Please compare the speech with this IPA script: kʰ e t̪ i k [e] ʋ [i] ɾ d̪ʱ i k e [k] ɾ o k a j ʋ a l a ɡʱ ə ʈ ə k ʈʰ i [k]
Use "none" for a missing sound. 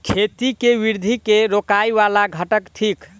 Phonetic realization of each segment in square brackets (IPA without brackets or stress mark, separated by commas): e, i, none, k